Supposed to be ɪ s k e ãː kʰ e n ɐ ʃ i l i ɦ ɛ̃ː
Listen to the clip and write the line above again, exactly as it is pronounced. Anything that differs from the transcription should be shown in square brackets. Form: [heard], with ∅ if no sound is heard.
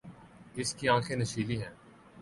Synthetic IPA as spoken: ɪ s k [i] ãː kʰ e n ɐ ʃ [iː] l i ɦ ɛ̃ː